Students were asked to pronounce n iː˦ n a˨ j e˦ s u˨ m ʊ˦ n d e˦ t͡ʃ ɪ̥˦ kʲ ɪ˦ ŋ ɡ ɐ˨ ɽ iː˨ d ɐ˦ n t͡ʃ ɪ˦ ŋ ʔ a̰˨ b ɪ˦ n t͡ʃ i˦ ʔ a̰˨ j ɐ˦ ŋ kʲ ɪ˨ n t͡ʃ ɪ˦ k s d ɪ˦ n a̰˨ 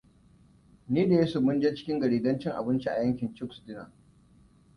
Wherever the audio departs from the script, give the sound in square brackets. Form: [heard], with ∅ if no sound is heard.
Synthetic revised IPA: n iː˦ [d] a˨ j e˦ s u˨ m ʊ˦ n [d͡ʒ] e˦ t͡ʃ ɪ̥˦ kʲ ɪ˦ ŋ ɡ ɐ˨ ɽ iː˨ d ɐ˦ n t͡ʃ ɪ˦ ŋ ʔ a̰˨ b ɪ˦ n t͡ʃ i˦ ʔ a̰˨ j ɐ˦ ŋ kʲ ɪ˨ n t͡ʃ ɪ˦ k s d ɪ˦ n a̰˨